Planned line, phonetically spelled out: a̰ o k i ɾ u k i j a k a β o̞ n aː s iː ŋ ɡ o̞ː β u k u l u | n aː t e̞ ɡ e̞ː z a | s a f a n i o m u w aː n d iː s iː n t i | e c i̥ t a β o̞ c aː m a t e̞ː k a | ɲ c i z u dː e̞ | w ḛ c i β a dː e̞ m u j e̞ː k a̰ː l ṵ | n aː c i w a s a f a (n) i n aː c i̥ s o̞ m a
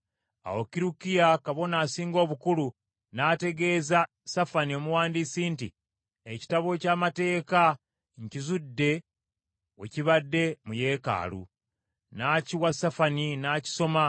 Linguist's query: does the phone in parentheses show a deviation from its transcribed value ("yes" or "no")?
no